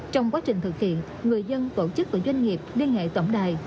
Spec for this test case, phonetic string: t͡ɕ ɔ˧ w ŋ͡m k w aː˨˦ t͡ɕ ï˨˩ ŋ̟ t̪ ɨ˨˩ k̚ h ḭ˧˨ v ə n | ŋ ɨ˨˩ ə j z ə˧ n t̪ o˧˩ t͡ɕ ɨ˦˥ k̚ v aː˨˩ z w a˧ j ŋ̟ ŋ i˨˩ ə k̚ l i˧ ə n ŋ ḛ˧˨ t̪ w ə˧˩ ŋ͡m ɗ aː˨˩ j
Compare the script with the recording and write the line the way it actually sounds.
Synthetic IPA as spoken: t͡ɕ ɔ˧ w ŋ͡m k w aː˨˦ t͡ɕ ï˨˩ ŋ̟ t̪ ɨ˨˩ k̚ h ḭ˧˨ ə n | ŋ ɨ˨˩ ə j z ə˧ n t̪ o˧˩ t͡ɕ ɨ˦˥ k̚ v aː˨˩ z w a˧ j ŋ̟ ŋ i˨˩ ə p̚ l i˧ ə n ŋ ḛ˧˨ t̪ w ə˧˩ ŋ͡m ɗ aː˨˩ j